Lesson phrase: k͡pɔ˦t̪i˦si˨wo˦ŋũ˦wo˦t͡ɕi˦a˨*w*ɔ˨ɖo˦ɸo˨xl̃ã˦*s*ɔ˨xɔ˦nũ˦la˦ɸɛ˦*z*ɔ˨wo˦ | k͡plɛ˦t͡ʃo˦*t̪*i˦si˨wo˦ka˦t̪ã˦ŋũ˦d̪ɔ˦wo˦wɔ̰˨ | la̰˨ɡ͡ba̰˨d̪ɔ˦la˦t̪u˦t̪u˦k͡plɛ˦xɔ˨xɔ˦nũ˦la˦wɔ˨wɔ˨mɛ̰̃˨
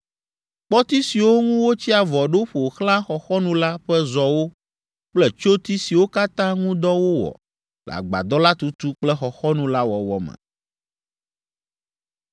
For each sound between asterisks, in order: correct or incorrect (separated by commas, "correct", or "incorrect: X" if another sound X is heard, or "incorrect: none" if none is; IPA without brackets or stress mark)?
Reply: incorrect: v, incorrect: x, correct, correct